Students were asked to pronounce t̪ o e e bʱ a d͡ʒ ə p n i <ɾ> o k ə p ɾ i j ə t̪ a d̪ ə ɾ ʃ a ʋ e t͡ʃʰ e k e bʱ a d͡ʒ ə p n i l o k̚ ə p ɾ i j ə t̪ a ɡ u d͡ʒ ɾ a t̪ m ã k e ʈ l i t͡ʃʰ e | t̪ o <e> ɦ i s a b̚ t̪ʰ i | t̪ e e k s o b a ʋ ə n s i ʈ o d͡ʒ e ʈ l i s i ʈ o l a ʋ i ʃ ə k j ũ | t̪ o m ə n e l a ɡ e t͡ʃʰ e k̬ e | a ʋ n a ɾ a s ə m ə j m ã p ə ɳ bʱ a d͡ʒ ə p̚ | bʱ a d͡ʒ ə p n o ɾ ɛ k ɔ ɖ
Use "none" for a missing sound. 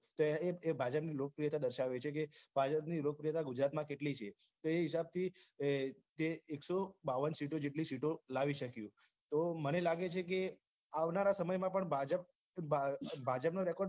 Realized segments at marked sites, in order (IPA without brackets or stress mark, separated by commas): l, e